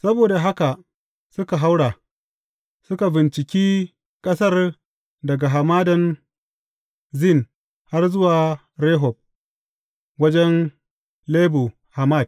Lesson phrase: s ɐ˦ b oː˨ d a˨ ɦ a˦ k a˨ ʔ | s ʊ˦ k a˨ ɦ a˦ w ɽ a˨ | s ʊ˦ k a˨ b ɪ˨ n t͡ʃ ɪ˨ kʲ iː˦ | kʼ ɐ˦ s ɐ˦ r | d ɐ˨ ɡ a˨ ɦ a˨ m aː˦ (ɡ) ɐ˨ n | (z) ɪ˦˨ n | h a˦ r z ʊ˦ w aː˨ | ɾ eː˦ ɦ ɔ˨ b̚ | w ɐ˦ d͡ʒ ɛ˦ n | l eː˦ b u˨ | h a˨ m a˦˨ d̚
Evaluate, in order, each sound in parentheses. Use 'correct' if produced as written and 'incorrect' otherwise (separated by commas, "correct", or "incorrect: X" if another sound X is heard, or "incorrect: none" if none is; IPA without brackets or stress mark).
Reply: incorrect: d, correct